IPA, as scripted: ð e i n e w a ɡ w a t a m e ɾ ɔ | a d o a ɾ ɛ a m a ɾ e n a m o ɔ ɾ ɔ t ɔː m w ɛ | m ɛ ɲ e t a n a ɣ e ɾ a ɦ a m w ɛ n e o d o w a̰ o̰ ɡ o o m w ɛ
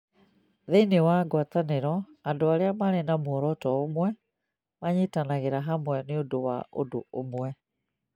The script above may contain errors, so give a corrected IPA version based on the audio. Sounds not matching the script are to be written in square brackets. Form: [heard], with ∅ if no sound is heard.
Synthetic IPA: ð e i n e w a ɡ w a t a [n] e ɾ ɔ | a d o a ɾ [e] a m a ɾ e n a m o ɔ ɾ ɔ t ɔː m w ɛ | m [a] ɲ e t a n a ɣ e ɾ a ɦ a m w ɛ n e o d o w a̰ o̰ [d] o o m w ɛ